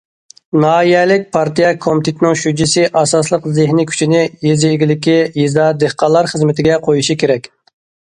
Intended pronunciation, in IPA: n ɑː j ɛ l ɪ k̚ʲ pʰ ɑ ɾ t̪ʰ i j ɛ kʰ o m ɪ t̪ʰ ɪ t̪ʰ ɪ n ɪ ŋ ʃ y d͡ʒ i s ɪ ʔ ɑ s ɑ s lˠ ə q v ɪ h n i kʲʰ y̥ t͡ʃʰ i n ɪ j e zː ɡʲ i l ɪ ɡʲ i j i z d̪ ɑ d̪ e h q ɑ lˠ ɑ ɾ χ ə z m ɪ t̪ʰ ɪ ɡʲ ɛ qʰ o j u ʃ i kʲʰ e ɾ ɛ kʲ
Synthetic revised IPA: n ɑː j ɛ l ɪ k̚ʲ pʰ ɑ ɾ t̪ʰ i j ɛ kʰ o m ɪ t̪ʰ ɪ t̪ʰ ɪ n ɪ ŋ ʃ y d͡ʒ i s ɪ ʔ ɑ s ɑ s lˠ ə q z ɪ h n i kʲʰ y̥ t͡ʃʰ i n ɪ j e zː ɡʲ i l ɪ kʲ i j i z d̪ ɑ d̪ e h q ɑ lˠ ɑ ɾ χ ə z m ɪ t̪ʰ ɪ ɡʲ ɛ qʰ o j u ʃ i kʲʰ e ɾ ɛ kʲ